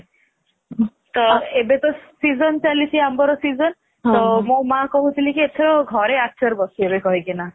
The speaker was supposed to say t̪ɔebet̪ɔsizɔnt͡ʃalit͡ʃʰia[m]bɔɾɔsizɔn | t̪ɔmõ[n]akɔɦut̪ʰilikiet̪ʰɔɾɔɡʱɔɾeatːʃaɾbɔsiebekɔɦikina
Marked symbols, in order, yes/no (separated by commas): yes, no